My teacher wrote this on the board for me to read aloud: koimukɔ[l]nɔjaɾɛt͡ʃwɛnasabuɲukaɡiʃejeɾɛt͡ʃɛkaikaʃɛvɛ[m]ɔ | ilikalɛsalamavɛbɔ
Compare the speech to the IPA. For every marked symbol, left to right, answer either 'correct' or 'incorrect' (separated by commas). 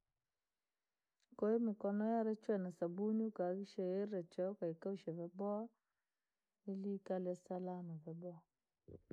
incorrect, incorrect